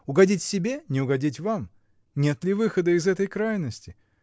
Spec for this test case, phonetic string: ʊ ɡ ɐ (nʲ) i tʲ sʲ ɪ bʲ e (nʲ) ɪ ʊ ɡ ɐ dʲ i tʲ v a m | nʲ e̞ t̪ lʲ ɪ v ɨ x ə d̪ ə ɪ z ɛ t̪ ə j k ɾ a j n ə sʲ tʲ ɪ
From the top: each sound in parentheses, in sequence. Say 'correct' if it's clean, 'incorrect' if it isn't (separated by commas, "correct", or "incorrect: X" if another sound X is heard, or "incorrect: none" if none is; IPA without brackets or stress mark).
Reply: incorrect: dʲ, correct